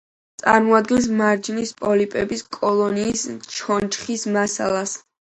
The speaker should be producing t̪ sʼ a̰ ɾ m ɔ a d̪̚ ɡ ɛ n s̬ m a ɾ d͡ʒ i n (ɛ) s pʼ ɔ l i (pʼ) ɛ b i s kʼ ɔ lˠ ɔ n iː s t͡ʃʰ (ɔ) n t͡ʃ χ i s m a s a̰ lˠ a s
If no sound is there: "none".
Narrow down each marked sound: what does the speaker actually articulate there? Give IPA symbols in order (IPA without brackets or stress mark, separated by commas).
i, pʼ, ɔ